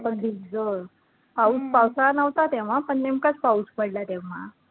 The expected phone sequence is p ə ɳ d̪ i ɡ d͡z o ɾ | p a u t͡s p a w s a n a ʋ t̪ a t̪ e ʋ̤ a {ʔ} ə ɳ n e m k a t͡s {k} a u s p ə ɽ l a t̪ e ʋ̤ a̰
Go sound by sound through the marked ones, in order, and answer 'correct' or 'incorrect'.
incorrect, incorrect

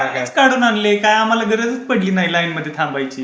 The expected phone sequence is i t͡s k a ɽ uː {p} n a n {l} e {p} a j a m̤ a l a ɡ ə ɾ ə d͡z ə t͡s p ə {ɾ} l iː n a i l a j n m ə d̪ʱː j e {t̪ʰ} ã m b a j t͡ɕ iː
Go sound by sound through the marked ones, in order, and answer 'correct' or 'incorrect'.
incorrect, correct, incorrect, incorrect, correct

